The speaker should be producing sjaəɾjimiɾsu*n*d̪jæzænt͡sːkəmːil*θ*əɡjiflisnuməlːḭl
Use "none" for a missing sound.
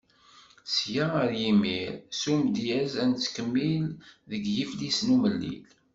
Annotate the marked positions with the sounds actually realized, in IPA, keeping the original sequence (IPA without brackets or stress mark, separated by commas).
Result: m, ð